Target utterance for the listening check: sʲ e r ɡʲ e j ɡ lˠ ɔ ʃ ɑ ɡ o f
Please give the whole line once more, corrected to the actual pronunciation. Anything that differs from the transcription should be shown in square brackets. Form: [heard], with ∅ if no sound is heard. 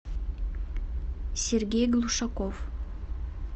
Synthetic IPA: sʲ e r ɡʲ e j ɡ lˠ [u] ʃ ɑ [k] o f